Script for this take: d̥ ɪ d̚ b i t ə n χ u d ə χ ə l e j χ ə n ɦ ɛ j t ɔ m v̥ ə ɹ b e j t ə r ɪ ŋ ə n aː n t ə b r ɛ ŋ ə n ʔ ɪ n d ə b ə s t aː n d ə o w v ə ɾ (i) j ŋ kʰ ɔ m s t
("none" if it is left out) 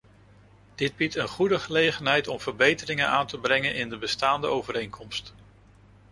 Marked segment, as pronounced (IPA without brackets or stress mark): e